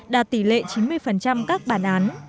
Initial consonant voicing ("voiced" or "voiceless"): voiced